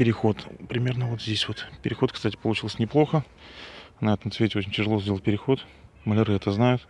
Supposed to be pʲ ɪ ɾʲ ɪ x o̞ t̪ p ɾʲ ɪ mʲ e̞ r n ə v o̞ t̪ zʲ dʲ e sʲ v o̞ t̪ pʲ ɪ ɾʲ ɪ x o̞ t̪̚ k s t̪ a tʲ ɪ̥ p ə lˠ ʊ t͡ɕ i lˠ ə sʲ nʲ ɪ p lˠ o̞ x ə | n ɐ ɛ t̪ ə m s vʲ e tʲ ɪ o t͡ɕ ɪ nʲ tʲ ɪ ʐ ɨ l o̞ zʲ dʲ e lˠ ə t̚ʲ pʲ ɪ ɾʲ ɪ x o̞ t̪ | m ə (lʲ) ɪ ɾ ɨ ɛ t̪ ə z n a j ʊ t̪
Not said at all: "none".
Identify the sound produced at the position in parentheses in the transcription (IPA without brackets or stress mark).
lʲ